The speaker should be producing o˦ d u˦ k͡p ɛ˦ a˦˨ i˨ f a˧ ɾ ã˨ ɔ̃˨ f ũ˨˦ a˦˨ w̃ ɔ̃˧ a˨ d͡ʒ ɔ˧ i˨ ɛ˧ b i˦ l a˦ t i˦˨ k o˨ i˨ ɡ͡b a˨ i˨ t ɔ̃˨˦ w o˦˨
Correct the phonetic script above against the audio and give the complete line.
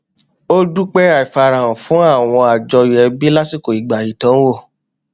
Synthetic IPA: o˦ d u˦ k͡p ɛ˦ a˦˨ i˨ f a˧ ɾ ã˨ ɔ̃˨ f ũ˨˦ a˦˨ w̃ ɔ̃˧ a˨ d͡ʒ ɔ˧ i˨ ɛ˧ b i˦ l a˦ s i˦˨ k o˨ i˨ ɡ͡b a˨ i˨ t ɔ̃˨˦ w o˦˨